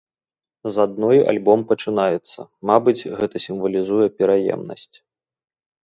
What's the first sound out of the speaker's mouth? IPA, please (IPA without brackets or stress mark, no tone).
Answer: z